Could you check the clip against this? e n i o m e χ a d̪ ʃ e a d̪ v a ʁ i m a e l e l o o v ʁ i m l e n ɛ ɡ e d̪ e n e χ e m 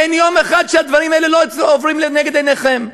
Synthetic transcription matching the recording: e n j o m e χ a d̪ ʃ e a d̪ v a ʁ i m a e l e l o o v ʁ i m l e n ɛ ɡ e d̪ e n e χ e m